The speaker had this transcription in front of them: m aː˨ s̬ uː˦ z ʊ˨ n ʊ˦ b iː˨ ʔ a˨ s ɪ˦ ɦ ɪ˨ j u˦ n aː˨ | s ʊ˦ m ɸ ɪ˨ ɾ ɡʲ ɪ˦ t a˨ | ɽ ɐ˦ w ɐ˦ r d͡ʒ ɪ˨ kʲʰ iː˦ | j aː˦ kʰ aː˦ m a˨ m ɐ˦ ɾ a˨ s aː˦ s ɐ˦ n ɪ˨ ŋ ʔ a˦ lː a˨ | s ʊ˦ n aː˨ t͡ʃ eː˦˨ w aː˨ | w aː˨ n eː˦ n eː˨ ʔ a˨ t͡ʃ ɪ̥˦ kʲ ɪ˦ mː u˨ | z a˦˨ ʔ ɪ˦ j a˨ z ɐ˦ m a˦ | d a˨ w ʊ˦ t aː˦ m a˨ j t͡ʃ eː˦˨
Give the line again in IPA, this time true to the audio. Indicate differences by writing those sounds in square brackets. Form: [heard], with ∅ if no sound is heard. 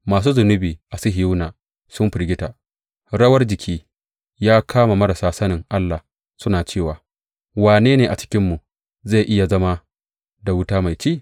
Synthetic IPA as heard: m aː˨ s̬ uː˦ z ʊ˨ n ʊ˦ b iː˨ ʔ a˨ s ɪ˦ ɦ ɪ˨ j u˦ n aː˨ | s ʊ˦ m ɸ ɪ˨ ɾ ɡʲ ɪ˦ t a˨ | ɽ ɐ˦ w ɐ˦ r d͡ʒ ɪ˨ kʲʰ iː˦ | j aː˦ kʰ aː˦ m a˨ m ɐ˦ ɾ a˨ s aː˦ s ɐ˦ n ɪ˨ ŋ ʔ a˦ lː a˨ | s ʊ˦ n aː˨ t͡ʃ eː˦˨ w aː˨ | w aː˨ n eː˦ n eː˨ ʔ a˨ t͡ʃ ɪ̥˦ kʲ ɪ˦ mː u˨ | z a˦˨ ʔ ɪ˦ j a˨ z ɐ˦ m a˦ | d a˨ w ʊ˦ t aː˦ m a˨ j t͡ʃ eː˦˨